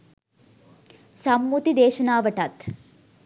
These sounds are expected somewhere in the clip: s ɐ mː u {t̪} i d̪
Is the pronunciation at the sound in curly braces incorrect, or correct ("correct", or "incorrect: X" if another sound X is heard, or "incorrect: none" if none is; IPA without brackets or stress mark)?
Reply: correct